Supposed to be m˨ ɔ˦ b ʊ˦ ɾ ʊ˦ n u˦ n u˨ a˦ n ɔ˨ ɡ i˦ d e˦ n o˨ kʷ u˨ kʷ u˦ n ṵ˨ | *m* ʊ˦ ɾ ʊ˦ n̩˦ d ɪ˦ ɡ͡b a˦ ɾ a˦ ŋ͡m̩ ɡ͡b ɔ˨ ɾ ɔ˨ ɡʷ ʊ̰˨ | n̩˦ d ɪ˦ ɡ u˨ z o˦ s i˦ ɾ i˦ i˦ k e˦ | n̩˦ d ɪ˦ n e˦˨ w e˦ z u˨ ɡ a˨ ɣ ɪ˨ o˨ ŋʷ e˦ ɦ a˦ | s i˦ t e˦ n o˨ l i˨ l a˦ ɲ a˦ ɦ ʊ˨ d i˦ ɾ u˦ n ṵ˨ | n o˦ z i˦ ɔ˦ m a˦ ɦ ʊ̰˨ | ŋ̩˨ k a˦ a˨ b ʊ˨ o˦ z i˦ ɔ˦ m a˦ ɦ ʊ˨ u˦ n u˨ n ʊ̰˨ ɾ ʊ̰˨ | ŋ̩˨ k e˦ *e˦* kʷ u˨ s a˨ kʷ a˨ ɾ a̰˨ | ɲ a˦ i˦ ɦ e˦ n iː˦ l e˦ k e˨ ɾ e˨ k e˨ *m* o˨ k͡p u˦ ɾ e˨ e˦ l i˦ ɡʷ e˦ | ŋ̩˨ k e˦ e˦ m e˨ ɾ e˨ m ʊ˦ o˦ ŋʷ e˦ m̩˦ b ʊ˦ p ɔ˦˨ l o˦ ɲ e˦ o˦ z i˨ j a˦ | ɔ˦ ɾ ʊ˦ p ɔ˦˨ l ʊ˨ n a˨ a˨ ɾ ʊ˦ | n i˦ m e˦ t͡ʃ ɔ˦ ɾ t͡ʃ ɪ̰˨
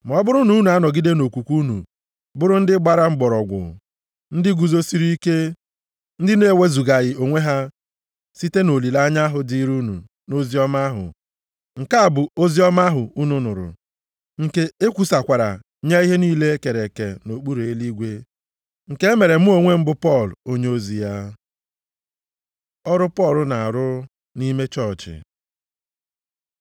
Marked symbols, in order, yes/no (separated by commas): no, yes, no